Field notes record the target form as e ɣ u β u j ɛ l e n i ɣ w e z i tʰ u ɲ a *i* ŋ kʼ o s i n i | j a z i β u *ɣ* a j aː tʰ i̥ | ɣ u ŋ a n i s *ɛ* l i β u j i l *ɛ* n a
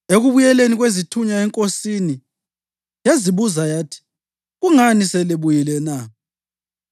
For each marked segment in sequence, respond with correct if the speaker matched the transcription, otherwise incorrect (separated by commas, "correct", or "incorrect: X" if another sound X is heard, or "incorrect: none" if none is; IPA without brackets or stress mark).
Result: incorrect: ɛ, incorrect: z, correct, correct